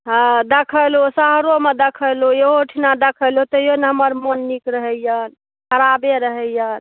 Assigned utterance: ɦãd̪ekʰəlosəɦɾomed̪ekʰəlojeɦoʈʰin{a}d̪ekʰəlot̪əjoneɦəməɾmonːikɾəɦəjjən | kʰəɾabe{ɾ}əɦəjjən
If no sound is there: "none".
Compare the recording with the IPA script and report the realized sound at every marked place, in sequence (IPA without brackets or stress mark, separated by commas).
a, ɾ